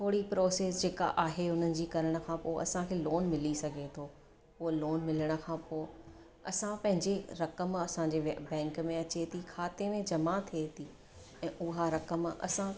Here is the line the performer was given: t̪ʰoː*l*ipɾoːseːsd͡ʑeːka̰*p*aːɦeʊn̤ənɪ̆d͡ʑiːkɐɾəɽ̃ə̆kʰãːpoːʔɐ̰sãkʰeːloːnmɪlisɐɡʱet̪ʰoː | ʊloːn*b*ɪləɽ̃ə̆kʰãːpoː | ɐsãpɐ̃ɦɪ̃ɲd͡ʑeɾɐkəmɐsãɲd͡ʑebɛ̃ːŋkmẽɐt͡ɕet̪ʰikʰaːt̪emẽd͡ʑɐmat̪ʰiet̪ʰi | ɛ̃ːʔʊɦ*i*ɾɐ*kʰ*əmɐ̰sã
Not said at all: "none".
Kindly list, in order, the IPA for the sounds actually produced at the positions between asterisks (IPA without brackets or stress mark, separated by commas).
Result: ɽ, ʔ, m, a, k